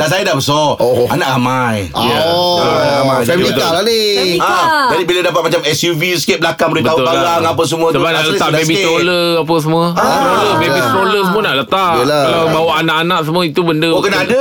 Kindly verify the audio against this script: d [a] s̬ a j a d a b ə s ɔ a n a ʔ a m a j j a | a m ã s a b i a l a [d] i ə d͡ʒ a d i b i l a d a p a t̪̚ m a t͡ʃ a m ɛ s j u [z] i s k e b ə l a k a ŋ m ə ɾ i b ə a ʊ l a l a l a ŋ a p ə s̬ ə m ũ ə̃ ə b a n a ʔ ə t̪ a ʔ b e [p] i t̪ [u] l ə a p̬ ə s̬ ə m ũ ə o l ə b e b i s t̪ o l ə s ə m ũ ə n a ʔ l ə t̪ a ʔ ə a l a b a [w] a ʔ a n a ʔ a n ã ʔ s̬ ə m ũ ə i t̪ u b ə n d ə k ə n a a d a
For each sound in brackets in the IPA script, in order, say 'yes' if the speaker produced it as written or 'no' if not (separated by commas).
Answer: yes, no, no, no, no, yes